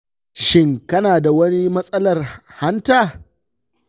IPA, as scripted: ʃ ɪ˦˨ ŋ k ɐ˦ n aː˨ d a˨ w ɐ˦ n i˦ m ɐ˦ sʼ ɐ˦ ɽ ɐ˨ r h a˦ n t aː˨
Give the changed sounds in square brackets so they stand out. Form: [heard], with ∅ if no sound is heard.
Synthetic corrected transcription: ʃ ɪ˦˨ ŋ k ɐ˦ n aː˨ d a˨ w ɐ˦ n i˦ m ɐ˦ sʼ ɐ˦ [l] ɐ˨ r h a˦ n t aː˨